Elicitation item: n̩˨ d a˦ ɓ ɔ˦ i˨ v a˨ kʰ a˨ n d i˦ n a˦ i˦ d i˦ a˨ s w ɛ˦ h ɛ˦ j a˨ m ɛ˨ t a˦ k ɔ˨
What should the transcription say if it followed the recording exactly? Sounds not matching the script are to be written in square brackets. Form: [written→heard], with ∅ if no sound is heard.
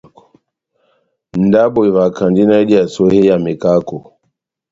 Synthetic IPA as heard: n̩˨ d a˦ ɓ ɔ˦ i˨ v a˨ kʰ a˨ n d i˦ n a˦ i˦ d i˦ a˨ s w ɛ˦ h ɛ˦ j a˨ m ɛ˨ [t→k] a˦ k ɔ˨